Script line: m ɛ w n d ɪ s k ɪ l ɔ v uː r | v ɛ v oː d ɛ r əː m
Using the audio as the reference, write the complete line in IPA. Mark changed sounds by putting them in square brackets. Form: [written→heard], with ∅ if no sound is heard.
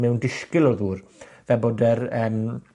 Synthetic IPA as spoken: m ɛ w n d ɪ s k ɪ l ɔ [v→ð] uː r | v ɛ [v→b] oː d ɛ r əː m